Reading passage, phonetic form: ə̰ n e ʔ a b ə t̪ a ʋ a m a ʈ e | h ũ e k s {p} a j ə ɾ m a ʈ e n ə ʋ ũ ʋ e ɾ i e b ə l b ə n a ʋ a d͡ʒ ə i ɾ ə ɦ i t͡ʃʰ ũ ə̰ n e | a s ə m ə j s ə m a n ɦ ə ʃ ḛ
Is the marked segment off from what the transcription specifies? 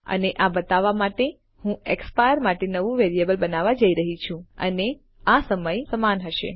no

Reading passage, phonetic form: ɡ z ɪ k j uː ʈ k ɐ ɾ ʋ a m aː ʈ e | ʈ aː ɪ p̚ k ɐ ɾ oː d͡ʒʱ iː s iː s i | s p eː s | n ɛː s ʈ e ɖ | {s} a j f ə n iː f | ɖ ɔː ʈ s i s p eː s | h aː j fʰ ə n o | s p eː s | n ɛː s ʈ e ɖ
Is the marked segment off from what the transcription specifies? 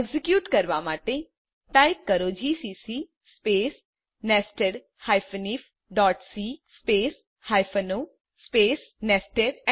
yes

